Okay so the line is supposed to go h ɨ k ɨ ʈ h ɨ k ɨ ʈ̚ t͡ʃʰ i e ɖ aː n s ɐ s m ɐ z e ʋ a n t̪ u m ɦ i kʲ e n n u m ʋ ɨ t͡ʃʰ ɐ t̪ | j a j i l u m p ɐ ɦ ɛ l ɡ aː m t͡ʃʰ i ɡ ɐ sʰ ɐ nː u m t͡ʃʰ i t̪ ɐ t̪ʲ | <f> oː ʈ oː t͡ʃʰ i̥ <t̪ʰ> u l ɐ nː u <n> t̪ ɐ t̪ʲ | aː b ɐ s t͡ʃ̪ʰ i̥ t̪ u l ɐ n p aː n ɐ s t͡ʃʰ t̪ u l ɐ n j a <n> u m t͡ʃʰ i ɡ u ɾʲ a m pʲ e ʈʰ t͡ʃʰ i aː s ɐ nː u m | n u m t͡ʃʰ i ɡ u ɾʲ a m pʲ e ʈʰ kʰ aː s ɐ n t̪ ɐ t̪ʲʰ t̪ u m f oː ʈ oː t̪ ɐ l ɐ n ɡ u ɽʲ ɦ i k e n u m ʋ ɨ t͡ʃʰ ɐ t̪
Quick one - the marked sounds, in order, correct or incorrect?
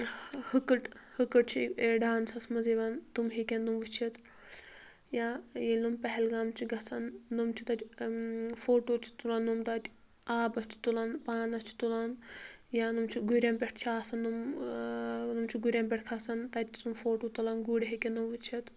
correct, incorrect, incorrect, correct

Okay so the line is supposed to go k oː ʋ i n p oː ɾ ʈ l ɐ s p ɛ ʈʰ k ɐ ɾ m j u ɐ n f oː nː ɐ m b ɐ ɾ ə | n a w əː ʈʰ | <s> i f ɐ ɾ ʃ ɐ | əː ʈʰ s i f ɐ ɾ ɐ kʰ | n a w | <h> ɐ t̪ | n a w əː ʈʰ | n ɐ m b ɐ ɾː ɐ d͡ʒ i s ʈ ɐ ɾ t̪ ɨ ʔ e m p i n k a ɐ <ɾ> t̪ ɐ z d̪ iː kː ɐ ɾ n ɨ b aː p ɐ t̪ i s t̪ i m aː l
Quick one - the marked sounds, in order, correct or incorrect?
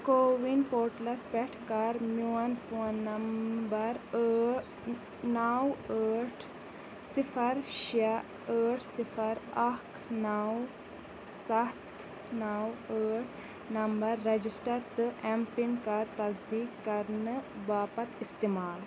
correct, incorrect, correct

